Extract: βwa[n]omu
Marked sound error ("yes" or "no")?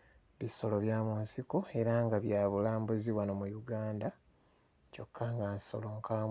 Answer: no